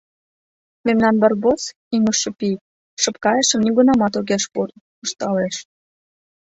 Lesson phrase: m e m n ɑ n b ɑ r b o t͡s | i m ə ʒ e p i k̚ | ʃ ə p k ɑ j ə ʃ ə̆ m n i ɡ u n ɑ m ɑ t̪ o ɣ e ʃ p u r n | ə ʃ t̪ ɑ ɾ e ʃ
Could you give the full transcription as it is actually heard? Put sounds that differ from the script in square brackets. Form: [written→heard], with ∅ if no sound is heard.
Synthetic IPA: m e m n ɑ n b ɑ r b o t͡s | i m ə [ʒ→ʃ] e p i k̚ | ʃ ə p k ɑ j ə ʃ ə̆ m n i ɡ u n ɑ m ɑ t̪ o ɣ e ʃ p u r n | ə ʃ t̪ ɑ [ɾ→l] e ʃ